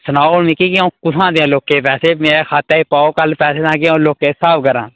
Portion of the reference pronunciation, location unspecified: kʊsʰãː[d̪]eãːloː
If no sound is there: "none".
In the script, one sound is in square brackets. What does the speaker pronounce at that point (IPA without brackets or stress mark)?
d̪